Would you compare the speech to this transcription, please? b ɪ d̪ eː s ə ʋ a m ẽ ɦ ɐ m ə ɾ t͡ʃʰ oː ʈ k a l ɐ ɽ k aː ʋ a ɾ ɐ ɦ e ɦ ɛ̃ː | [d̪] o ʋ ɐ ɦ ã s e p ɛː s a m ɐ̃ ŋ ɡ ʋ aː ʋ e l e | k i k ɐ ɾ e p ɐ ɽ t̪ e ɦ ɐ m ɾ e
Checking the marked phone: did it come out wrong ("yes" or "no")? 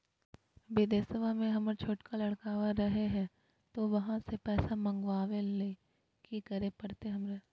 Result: yes